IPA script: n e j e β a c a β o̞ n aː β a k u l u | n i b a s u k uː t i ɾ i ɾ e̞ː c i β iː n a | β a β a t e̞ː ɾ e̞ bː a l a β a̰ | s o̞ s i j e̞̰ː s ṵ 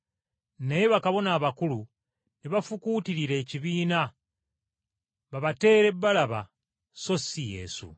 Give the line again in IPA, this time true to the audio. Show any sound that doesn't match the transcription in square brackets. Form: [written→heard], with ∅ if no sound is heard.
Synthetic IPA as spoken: n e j e β a [c→k] a β o̞ n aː β a k u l u | n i [b→β] a [s→f] u k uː t i ɾ i ɾ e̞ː c i β iː n a | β a β a t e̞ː ɾ e̞ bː a l a β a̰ | s o̞ s i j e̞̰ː s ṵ